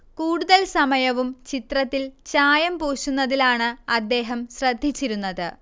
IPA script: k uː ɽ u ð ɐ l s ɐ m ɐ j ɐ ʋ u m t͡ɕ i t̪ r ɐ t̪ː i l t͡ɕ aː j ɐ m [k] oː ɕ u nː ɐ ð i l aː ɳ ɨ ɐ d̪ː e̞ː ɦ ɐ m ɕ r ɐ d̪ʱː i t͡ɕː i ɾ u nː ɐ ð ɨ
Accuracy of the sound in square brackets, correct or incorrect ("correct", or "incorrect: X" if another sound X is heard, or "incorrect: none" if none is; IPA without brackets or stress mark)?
incorrect: p